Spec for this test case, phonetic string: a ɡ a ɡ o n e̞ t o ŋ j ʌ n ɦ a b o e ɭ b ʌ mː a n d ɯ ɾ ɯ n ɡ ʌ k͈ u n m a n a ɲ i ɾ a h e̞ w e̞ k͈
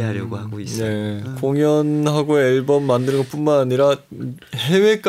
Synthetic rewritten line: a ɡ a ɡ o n e̞ k o ŋ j ʌ n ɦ a ɡ o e ɭ b ʌ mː a n d ɯ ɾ ɯ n ɡ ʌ p͈ u n m a n a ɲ i ɾ a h e̞ w e̞ k͈